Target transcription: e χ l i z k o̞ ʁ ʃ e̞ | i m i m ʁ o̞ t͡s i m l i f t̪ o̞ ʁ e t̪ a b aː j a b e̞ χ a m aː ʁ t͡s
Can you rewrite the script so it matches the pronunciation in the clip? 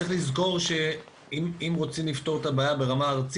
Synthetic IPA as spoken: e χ l i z k o̞ ʁ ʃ e̞ | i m i m ʁ o̞ t͡s i m l i f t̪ o̞ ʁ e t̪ a b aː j a b e̞ ʁ a m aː ʁ t͡s